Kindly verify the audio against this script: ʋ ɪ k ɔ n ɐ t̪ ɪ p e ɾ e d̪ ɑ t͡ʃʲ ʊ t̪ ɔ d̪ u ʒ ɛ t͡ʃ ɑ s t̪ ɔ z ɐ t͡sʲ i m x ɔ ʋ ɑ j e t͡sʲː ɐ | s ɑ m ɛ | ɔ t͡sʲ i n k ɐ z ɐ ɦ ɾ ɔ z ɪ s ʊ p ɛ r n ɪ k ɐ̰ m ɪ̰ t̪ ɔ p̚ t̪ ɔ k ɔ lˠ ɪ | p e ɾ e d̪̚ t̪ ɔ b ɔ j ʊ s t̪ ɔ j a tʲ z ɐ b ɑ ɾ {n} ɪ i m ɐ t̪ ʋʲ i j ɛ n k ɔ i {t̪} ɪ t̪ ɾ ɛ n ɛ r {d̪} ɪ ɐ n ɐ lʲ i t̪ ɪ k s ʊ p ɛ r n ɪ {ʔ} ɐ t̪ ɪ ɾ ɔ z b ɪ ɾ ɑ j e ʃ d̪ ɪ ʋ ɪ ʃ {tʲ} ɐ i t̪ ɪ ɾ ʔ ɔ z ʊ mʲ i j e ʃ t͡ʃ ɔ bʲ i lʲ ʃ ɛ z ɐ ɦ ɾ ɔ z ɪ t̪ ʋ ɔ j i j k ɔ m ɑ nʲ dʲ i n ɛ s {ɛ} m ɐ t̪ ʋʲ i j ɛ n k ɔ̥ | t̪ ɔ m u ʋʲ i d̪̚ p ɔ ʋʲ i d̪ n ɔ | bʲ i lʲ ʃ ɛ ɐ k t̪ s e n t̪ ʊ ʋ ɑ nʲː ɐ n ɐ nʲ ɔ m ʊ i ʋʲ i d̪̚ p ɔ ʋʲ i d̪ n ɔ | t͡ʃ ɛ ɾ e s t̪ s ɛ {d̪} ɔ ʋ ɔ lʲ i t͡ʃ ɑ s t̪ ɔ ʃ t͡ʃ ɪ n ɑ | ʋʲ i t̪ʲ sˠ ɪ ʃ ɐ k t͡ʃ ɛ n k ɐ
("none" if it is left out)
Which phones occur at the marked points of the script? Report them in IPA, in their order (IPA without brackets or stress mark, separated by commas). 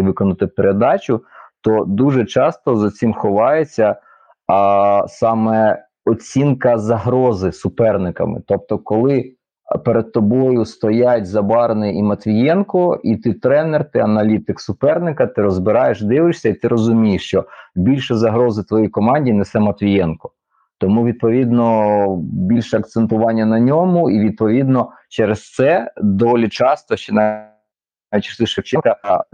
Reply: n, t̪, t̪, k, sʲ, ɛ, d̪